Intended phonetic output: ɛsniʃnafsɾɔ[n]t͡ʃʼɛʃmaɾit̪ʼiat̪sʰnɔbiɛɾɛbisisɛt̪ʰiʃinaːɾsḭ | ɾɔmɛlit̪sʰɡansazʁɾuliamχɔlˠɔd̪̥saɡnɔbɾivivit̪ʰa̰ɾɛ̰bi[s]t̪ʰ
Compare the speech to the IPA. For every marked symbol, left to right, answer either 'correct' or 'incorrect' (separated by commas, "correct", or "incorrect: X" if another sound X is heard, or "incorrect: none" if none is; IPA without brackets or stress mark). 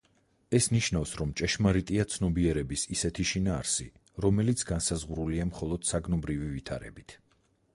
incorrect: m, incorrect: none